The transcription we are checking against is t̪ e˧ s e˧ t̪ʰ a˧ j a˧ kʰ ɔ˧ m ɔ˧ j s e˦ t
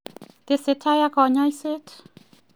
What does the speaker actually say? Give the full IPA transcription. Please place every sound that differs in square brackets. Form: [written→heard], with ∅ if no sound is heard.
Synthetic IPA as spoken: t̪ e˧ s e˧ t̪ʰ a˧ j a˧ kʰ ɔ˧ [m→ɲ] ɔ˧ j s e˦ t